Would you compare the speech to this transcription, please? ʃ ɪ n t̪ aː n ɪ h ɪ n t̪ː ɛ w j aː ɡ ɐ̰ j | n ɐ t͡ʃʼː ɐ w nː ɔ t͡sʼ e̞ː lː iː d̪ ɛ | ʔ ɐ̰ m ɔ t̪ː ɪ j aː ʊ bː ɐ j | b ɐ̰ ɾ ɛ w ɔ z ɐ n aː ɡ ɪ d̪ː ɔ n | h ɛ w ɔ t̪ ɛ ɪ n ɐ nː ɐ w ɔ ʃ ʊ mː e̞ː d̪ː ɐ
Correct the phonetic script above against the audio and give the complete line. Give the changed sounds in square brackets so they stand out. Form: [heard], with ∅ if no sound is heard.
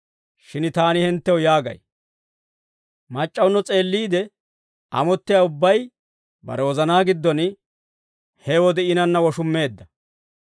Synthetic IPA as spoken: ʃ ɪ n t̪ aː n ɪ h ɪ n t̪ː ɛ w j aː ɡ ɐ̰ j | [m] ɐ t͡ʃʼː ɐ w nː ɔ t͡sʼ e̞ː lː iː d̪ ɛ | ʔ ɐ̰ m ɔ t̪ː ɪ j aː ʊ bː ɐ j | b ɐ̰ ɾ ɛ w ɔ z ɐ n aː ɡ ɪ d̪ː ɔ n | h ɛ w ɔ [d̪] ɛ ɪ n ɐ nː ɐ w ɔ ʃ ʊ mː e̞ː d̪ː ɐ